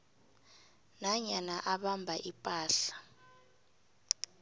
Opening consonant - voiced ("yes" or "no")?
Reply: yes